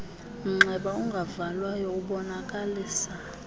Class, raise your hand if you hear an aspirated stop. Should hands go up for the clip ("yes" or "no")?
no